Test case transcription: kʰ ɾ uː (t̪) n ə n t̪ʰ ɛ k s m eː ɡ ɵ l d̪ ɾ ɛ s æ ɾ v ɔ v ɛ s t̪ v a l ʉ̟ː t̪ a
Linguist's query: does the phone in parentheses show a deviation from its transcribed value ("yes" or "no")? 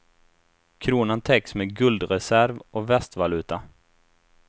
yes